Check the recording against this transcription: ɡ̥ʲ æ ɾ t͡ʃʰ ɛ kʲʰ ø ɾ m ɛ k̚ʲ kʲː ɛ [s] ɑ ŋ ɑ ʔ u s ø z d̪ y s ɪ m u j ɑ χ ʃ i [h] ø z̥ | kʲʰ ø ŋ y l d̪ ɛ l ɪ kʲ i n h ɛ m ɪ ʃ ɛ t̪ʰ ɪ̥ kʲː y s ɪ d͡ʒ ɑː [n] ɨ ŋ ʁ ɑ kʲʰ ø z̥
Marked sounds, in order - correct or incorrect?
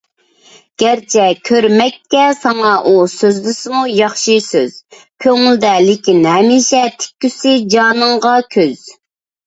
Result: correct, incorrect, correct

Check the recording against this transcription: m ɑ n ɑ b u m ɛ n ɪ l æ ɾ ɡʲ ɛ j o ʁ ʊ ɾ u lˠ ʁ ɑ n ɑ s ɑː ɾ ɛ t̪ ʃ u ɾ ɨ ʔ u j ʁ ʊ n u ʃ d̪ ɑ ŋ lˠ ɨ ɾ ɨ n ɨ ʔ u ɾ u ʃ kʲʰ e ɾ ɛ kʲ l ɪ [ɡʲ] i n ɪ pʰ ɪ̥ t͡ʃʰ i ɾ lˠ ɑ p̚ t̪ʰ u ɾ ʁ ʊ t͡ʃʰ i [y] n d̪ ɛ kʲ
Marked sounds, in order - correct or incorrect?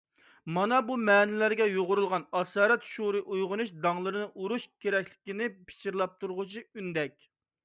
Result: incorrect, correct

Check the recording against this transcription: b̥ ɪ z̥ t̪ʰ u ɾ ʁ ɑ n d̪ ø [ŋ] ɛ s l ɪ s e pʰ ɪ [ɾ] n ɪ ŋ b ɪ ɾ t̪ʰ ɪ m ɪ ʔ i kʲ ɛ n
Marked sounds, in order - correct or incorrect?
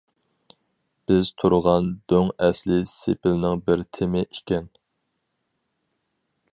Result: correct, incorrect

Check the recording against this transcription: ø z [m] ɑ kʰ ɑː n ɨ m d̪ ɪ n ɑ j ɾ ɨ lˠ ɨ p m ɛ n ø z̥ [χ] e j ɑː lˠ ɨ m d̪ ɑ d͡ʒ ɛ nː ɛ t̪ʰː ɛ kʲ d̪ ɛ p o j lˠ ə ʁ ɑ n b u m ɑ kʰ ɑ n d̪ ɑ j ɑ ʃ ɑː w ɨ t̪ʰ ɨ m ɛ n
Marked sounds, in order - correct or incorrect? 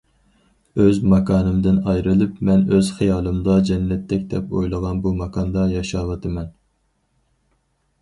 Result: correct, correct

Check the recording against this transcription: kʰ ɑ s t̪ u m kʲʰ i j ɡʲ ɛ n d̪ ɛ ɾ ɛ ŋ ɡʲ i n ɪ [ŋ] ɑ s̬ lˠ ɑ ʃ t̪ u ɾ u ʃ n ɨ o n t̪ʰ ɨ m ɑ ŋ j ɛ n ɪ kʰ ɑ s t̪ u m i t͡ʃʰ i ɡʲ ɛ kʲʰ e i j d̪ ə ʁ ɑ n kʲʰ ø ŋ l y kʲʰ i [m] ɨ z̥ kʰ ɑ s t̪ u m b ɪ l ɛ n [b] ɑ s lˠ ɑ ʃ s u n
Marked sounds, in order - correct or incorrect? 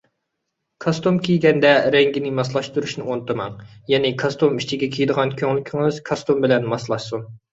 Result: incorrect, incorrect, incorrect

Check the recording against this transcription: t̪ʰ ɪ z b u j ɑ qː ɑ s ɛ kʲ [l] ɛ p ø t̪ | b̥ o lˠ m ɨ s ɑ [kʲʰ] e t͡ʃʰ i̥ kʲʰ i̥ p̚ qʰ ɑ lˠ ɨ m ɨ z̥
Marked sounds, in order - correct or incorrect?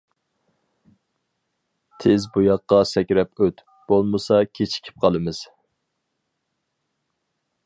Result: incorrect, correct

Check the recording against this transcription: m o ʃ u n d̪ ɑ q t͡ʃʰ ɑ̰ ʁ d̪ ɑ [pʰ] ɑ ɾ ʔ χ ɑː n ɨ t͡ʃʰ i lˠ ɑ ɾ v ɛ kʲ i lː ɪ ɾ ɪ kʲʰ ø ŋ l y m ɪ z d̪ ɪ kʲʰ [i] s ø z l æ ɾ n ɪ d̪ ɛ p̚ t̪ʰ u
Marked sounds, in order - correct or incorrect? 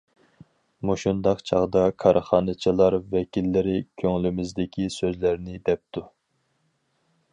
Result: incorrect, correct

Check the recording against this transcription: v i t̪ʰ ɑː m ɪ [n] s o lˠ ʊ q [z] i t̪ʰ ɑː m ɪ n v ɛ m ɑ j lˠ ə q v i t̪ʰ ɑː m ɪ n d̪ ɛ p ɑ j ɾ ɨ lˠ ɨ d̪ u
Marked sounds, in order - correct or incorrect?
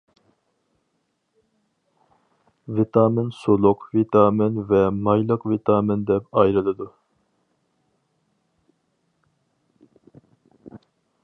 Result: correct, incorrect

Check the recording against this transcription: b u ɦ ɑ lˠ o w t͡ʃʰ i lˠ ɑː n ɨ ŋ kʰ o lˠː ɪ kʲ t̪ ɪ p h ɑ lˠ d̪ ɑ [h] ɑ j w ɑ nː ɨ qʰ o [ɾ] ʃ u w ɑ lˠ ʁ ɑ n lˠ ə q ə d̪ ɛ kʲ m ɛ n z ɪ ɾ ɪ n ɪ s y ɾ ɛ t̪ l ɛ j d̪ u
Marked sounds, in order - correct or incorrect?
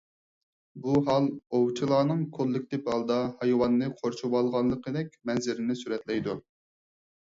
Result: correct, correct

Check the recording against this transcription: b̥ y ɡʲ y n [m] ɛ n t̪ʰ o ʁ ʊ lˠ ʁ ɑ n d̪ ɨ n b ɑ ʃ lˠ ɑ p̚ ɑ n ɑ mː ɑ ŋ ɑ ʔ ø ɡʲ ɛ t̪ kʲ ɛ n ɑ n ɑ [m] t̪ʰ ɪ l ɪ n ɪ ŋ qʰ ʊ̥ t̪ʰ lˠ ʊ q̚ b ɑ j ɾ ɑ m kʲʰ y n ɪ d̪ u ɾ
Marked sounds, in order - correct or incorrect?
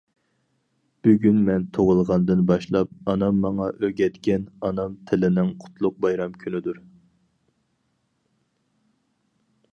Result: correct, correct

